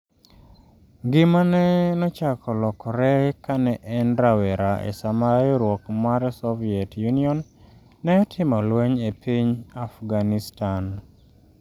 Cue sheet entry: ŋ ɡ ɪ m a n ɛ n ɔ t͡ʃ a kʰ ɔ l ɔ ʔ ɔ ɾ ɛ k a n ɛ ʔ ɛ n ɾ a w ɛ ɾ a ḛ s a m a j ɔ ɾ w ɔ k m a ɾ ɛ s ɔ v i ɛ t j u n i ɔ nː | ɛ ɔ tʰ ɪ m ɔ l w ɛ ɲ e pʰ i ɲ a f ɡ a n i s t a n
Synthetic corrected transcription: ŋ ɡ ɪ m a n ɛ n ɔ t͡ʃ a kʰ ɔ l ɔ k ɔ ɾ ɛ k a n ɛ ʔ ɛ n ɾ a w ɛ ɾ a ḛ s a m a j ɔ ɾ w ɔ k m a ɾ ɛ s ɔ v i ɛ t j u n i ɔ nː | ɛ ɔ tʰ ɪ m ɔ l w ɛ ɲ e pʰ i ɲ a f ɡ a n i s t a n